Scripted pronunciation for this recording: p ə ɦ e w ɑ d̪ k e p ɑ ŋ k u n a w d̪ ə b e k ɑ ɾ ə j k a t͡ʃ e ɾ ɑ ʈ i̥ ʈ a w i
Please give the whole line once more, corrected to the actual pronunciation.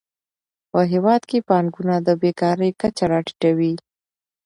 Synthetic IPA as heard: p ə ɦ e w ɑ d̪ k e p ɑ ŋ ɡ u n a d̪ ə b e k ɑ ɾ ə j k a t͡ʃ a ɾ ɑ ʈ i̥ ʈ a w i